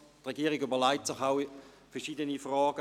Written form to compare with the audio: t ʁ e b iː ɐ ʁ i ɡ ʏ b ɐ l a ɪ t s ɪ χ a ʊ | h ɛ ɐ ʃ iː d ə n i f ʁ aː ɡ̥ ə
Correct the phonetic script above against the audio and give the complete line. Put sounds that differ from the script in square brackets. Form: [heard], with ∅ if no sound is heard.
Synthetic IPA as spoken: t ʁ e [ɡ] iː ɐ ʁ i ɡ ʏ b ɐ l a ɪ t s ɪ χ a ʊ | [f] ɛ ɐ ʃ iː d ə n i f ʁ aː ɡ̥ ə